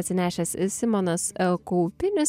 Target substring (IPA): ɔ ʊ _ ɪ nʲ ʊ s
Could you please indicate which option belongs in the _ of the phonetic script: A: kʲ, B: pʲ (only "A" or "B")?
B